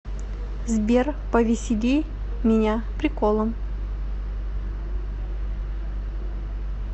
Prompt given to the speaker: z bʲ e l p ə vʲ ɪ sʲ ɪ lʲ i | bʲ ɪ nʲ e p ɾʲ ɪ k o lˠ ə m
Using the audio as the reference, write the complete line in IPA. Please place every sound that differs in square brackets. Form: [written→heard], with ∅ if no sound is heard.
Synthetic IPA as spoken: z bʲ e [l→r] p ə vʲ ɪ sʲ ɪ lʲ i | [bʲ→mʲ] ɪ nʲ [e→a] p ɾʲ ɪ k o lˠ ə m